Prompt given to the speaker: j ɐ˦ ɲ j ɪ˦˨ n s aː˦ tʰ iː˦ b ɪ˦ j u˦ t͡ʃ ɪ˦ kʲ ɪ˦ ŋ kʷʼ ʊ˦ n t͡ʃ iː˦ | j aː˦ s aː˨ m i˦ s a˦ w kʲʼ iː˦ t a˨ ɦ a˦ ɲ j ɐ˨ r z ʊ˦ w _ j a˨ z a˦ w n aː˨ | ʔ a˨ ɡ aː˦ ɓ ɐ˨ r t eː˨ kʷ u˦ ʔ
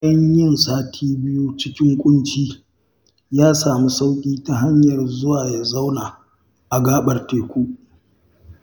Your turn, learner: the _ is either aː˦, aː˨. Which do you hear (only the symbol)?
aː˨